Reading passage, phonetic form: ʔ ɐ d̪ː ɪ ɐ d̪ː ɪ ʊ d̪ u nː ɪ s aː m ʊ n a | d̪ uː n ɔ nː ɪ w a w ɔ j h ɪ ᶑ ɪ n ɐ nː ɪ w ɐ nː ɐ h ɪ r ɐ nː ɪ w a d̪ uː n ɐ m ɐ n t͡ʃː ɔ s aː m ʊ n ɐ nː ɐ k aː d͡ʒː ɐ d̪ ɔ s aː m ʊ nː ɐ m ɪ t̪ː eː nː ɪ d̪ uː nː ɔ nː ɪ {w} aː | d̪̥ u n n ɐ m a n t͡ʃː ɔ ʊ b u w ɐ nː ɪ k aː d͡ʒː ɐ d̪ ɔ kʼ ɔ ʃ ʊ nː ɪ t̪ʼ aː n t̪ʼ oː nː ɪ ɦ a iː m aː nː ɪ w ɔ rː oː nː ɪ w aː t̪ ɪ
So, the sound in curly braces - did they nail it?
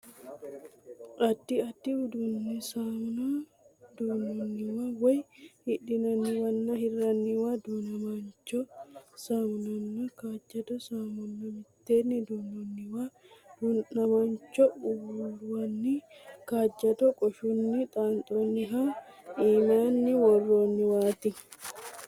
yes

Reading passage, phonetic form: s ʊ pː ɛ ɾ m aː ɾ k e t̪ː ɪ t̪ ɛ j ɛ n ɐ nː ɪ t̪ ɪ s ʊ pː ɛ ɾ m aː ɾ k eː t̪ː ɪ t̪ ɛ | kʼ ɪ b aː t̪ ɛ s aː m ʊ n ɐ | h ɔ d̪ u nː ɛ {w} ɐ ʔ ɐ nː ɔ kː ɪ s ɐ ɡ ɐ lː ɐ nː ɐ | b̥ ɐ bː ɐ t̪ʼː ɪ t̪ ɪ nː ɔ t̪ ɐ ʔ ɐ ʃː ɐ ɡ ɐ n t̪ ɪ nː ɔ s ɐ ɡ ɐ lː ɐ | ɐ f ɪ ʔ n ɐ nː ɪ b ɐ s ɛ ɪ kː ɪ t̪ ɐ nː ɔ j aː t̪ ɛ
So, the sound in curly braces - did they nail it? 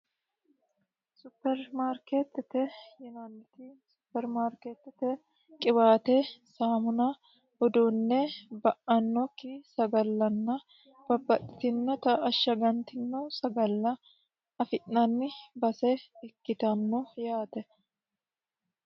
no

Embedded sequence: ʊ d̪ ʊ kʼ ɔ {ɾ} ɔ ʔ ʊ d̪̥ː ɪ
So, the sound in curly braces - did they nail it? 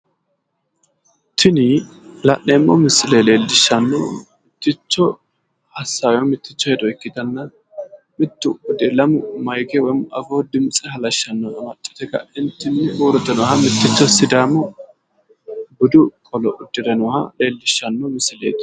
no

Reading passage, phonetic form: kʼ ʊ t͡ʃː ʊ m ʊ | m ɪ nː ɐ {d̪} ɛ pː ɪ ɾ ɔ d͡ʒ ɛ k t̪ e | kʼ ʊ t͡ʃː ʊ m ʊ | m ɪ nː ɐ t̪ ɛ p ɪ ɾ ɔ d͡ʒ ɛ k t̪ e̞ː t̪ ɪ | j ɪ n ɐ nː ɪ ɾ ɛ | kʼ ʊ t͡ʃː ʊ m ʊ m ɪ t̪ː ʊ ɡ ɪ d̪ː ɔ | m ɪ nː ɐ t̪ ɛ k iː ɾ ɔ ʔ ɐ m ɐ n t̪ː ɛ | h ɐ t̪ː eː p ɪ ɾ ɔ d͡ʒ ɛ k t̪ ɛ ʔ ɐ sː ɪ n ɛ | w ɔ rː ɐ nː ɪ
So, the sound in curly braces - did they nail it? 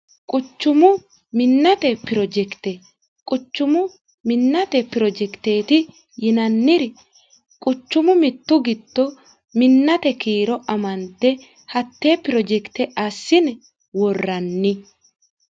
no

